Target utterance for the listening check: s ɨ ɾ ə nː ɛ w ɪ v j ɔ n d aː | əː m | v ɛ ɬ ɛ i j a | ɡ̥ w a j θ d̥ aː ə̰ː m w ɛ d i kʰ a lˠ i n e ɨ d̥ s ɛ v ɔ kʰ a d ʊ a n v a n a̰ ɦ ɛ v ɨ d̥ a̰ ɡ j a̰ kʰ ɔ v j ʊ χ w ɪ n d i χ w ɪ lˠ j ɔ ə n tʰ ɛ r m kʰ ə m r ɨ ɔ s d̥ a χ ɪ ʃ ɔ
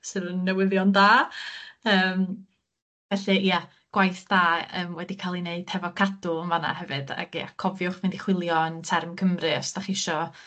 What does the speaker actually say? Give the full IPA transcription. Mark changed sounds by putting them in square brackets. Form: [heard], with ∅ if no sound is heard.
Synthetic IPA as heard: s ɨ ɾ ə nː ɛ w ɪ [ð] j ɔ n d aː | əː m | v ɛ ɬ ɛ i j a | ɡ̥ w a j θ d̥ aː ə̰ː m w ɛ d i kʰ a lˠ i n e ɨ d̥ [h] ɛ v ɔ kʰ a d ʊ [ə] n v a n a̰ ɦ ɛ v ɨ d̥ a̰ ɡ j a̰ kʰ ɔ v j ʊ χ [v] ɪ n d i χ w ɪ lˠ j ɔ ə n tʰ ɛ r m kʰ ə m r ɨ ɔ s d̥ a χ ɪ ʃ ɔ